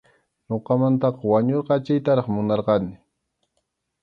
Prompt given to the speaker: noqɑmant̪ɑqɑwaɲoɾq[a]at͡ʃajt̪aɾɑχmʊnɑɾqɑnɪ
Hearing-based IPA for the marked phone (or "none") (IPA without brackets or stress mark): ɑ